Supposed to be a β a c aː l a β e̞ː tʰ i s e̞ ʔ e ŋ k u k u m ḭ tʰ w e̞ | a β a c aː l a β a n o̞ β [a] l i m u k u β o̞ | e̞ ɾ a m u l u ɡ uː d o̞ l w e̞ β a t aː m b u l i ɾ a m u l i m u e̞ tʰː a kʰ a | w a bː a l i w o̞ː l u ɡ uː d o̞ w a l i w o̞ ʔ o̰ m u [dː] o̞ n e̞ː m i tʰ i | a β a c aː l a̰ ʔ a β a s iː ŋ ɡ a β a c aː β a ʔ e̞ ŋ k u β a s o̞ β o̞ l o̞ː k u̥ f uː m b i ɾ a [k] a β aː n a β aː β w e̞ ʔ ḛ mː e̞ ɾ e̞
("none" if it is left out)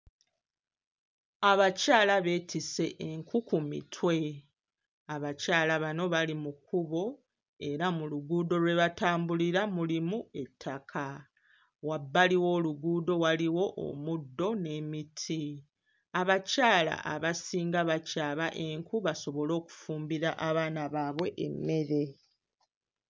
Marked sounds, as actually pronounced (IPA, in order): a, dː, ʔ

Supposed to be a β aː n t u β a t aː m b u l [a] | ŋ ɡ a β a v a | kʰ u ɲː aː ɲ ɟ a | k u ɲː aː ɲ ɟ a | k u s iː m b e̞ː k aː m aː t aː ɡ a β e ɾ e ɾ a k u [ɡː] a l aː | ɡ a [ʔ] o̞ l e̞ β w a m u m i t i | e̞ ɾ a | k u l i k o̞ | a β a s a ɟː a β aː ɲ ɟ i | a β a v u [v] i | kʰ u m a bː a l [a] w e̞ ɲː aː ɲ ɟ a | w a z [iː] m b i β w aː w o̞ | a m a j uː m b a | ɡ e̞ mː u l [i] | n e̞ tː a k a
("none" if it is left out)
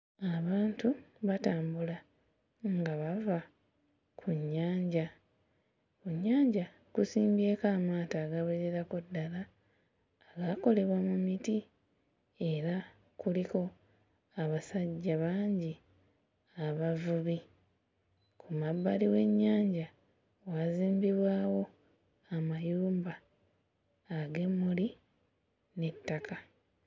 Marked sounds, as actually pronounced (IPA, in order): a, dː, k, β, i, iː, i

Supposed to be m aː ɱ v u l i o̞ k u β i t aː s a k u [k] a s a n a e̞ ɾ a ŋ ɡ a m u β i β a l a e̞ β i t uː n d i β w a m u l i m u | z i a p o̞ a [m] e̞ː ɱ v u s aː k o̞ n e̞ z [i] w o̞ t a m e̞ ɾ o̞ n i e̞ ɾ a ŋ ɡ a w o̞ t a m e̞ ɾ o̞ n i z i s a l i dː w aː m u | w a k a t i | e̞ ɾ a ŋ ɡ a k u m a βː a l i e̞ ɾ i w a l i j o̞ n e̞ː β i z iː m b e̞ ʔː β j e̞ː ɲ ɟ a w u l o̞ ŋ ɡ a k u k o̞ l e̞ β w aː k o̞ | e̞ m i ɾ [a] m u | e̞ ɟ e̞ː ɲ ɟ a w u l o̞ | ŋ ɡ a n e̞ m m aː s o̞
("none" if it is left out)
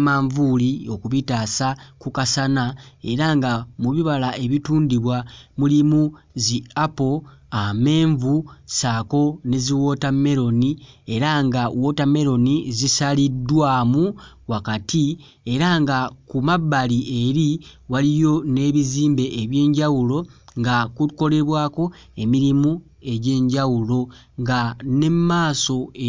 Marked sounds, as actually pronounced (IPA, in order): k, m, i, i

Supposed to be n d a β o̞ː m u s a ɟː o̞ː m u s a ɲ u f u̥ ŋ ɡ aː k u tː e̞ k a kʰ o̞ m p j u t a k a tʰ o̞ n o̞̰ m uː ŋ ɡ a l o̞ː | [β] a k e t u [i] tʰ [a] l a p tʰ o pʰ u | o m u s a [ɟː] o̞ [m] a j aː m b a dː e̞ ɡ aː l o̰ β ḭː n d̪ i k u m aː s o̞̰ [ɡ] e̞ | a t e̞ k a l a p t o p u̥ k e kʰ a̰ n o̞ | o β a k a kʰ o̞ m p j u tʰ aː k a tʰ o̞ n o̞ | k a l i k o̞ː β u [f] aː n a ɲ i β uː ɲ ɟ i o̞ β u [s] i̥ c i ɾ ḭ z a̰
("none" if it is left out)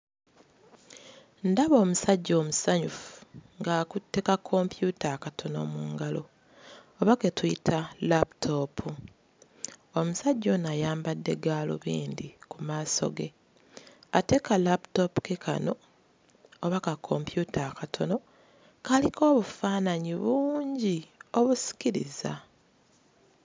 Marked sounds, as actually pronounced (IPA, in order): β, i, a, ɟː, n, ɡ, f, s

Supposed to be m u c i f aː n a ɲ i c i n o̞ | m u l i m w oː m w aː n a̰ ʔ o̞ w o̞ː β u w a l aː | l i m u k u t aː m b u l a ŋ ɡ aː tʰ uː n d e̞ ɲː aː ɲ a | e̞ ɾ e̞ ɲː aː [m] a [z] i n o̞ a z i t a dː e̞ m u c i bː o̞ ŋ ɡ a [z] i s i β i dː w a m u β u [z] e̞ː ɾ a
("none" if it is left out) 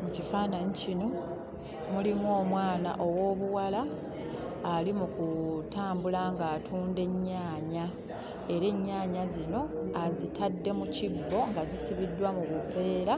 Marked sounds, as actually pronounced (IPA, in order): ɲ, z, z, v

